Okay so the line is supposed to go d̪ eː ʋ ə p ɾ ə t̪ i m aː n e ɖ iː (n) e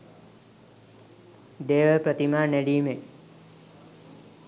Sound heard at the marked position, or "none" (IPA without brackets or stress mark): m